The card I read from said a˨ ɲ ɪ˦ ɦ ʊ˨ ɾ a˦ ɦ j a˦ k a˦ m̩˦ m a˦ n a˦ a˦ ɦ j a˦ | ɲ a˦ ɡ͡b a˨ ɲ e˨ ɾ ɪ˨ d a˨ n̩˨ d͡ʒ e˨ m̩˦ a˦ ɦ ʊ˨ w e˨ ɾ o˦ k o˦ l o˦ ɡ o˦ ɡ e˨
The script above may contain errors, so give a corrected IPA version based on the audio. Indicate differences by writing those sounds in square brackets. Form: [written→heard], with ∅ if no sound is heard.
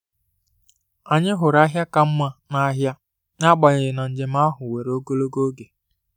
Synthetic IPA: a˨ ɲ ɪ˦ ɦ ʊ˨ ɾ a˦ ɦ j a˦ k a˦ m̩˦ m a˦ n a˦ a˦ ɦ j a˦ | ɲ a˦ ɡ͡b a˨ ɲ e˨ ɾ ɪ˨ [d→n] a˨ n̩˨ d͡ʒ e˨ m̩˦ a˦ ɦ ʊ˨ w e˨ ɾ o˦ [k→ɡ] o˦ l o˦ ɡ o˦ ɡ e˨